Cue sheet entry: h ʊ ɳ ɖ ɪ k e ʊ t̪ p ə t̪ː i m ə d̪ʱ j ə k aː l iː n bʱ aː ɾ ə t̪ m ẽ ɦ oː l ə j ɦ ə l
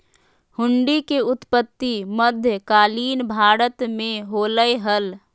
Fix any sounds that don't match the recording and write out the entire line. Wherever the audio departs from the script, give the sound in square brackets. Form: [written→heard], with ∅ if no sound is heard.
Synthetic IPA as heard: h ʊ ɳ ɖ [ɪ→i] k e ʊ t̪ p ə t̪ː i m ə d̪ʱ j ə k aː l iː n bʱ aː ɾ ə t̪ m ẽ ɦ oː l ə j ɦ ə l